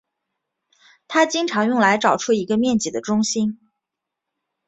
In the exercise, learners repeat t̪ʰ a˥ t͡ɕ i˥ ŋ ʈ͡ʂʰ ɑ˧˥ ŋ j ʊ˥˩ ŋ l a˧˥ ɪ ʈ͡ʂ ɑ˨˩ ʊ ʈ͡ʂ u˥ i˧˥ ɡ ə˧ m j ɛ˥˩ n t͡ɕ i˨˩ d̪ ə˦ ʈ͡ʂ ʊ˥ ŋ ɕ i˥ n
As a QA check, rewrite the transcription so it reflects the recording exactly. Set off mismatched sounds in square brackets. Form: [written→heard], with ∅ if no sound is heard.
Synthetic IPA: t̪ʰ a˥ t͡ɕ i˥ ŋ ʈ͡ʂʰ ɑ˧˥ ŋ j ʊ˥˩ ŋ l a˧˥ ɪ ʈ͡ʂ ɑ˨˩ ʊ [ʈ͡ʂ→ʈ͡ʂʰ] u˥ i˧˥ ɡ ə˧ m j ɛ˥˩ n t͡ɕ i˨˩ d̪ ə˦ ʈ͡ʂ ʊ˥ ŋ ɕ i˥ n